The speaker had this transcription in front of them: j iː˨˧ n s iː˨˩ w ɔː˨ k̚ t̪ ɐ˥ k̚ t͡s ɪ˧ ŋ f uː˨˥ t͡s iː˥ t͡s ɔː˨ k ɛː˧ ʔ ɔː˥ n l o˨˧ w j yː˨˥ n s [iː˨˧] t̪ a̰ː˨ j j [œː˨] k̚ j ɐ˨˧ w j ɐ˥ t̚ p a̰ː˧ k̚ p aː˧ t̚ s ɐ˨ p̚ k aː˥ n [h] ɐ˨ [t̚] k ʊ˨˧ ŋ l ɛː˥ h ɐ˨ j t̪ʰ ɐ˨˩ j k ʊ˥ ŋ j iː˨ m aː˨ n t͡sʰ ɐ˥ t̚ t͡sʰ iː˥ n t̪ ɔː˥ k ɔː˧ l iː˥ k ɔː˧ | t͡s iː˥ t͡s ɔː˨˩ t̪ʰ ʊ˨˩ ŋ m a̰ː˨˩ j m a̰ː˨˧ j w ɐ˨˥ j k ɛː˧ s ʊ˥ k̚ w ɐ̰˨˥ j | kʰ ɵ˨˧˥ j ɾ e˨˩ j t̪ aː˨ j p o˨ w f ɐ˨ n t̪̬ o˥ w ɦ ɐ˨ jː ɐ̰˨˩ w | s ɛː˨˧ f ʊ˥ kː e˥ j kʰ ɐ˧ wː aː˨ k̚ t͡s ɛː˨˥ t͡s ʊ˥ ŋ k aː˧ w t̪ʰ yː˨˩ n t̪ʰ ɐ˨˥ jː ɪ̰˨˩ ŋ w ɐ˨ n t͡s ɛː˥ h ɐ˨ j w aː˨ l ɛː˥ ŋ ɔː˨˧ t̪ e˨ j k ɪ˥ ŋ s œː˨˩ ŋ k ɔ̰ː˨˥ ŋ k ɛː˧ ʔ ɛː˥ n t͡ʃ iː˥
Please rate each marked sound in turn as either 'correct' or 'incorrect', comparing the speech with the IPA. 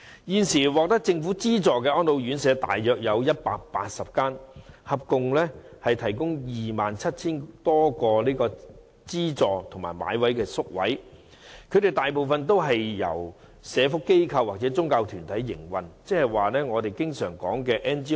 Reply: incorrect, correct, correct, incorrect

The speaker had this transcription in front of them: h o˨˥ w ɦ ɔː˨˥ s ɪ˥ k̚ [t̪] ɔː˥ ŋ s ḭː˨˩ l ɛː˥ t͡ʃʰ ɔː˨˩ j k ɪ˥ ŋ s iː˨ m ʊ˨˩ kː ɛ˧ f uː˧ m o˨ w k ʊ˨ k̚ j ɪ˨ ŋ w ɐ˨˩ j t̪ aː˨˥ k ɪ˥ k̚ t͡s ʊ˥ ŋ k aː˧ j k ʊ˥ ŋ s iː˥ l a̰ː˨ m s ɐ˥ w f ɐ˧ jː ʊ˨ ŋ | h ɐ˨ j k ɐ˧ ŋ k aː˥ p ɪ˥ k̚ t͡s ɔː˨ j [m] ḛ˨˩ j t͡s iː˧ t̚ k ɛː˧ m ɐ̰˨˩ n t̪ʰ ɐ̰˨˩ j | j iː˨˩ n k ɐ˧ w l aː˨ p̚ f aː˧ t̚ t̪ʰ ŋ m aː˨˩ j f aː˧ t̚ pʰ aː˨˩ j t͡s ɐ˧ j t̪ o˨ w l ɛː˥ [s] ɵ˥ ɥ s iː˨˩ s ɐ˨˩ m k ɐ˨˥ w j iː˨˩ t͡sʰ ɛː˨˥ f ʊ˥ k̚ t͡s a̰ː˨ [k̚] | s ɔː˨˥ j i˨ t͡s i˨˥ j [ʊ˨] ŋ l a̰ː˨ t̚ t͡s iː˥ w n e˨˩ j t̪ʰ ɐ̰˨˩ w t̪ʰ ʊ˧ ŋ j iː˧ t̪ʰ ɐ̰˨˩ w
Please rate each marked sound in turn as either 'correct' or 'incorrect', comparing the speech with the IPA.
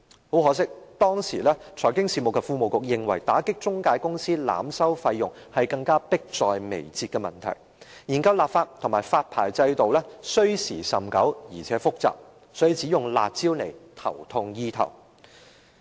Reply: correct, correct, correct, incorrect, correct

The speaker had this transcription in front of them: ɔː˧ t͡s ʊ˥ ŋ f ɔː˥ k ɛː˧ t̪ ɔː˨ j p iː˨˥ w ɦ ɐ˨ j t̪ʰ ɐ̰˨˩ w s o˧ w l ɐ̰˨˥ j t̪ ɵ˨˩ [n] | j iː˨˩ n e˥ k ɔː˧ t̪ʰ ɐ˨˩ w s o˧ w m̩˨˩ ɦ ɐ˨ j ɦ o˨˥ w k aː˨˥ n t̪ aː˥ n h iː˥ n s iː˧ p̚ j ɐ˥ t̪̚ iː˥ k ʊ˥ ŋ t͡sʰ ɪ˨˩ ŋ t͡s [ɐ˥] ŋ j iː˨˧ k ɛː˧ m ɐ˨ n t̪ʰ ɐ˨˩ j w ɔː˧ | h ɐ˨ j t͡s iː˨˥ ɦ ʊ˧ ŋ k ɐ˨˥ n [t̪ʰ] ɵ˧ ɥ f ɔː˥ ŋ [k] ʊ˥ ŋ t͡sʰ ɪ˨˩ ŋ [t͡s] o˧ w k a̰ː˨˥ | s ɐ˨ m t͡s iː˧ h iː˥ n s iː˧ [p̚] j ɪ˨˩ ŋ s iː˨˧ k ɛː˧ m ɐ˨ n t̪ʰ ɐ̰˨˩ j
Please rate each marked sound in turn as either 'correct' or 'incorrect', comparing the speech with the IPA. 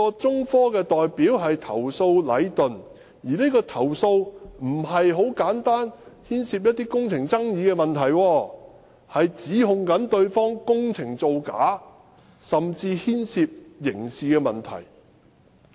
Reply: correct, correct, incorrect, correct, correct, correct

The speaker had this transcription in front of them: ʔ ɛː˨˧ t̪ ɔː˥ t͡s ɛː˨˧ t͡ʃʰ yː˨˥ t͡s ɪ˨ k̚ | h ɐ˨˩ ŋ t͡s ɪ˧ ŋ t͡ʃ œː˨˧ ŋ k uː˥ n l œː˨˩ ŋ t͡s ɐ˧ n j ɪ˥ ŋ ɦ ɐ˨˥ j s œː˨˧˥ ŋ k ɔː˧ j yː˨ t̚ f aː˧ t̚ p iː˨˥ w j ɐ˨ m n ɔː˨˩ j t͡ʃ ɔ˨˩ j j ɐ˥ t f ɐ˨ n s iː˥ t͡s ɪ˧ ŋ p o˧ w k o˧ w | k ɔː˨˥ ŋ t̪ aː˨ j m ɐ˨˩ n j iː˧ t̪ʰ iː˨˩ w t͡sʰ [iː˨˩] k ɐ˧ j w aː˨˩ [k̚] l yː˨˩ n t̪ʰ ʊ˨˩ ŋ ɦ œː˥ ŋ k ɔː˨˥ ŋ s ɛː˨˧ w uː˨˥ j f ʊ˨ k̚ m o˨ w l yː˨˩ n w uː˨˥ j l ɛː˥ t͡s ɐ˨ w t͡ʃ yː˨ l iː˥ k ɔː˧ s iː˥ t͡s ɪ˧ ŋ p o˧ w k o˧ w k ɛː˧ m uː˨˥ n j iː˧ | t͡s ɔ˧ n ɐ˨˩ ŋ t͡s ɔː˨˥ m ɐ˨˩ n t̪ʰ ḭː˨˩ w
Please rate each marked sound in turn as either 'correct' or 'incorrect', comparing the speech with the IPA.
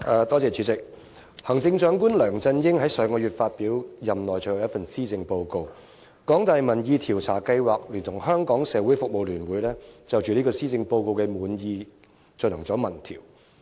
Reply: incorrect, correct

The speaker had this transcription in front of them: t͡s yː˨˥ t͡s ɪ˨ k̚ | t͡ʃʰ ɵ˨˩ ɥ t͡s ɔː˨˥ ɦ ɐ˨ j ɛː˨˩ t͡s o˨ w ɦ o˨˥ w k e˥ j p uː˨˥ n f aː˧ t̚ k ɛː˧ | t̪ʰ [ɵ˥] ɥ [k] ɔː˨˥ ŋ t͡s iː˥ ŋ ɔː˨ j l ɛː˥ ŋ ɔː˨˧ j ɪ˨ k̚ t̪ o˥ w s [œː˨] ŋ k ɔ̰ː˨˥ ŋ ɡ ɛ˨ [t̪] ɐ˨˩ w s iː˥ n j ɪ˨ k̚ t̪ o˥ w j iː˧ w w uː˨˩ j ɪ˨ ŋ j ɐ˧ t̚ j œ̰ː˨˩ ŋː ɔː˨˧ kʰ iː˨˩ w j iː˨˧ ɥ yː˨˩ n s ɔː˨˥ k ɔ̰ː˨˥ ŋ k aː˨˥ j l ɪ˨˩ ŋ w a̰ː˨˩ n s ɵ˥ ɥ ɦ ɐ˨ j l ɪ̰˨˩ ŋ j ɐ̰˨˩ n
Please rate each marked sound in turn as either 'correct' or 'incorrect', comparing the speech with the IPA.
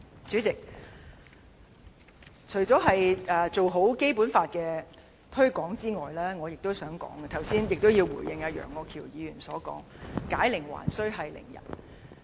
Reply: correct, correct, incorrect, incorrect

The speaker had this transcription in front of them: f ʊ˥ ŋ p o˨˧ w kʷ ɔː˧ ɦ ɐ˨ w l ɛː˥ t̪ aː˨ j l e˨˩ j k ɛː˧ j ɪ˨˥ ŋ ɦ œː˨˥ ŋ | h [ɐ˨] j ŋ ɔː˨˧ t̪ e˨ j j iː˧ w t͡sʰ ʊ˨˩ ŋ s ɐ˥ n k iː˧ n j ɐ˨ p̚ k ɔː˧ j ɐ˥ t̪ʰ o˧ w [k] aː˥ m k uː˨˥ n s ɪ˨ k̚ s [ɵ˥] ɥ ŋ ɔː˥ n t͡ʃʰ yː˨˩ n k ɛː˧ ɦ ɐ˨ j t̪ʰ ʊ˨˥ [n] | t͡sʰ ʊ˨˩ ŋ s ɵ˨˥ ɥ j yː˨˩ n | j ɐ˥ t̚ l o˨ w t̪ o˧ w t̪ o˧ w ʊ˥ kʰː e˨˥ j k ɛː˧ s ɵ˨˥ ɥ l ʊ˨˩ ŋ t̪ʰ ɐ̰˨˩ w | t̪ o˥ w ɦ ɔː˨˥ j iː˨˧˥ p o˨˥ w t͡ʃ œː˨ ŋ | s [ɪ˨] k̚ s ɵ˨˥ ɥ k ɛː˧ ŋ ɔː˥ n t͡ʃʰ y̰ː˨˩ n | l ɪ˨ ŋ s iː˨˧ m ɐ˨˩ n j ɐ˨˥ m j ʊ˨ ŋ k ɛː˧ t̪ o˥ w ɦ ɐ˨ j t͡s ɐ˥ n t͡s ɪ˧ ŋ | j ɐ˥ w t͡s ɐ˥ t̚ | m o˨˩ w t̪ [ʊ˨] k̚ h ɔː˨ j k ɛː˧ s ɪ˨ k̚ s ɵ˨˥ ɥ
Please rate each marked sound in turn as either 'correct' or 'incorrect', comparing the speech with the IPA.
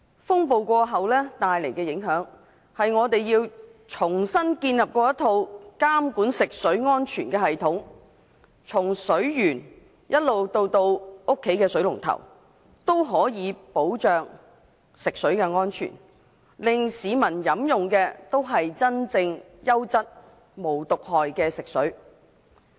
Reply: correct, correct, incorrect, incorrect, correct, correct

